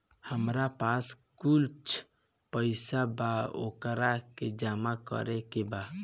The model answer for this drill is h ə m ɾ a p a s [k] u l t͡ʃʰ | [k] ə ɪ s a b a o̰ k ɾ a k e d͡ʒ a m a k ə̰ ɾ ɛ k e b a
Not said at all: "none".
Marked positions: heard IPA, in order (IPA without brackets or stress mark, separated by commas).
k, p